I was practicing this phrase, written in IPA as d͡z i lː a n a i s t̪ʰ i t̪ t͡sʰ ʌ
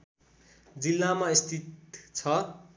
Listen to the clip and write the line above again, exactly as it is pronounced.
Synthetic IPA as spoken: d͡z i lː a m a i s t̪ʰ i t̪ t͡sʰ ʌ